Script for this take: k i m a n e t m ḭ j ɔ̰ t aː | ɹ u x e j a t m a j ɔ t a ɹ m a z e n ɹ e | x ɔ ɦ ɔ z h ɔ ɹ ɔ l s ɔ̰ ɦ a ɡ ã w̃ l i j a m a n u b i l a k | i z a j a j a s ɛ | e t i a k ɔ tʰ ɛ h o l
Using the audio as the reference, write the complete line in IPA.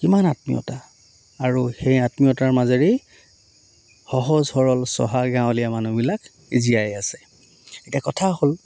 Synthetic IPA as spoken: k i m a n a t m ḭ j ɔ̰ t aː | ɹ u x e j a t m i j ɔ t a ɹ m a z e ɹ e | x ɔ ɦ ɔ z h ɔ ɹ ɔ l s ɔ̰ ɦ a ɡ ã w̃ l i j a m a n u b i l a k | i z i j a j a s ɛ | e t i a k ɔ tʰ a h o l